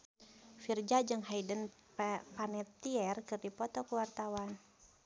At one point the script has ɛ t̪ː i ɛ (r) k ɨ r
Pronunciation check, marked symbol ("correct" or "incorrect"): correct